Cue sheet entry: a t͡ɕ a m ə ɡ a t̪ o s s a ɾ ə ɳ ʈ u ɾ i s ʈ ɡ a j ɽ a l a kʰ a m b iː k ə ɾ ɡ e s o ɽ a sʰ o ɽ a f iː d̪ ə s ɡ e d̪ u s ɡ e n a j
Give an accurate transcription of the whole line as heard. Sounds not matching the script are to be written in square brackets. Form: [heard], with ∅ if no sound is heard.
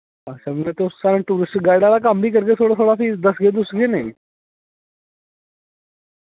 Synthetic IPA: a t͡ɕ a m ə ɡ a t̪ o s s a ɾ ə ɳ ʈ u ɾ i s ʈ ɡ a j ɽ a l a [k] a m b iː k ə ɾ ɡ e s o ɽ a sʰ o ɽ a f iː d̪ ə s ɡ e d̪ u s ɡ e n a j